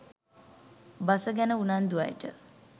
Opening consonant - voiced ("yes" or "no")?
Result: yes